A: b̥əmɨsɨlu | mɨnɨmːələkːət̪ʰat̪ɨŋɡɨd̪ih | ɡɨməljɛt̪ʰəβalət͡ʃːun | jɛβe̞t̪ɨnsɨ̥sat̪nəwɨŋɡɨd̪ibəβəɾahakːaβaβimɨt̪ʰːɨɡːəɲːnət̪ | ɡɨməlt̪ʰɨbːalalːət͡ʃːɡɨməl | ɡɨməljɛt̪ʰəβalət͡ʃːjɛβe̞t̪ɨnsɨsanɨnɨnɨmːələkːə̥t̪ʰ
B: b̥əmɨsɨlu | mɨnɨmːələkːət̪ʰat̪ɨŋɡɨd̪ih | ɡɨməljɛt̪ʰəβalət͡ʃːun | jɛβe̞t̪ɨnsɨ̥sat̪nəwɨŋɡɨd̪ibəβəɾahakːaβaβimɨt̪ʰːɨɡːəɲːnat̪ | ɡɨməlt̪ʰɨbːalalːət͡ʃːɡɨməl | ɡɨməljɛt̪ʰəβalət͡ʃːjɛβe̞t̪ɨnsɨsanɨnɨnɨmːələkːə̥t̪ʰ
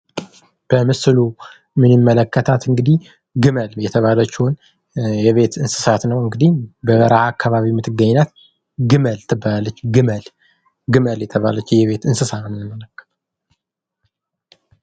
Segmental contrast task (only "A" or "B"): B